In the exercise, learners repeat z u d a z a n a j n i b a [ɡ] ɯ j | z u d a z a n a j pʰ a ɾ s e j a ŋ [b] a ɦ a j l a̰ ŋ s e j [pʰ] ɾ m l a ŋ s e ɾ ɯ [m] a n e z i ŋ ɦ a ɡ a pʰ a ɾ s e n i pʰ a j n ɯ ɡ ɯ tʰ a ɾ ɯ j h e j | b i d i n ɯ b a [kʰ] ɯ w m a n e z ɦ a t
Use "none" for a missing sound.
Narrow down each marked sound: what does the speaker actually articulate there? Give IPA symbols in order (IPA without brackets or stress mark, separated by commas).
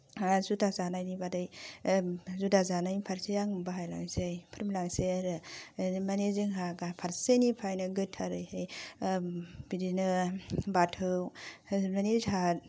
d, b, pʰ, m, tʰ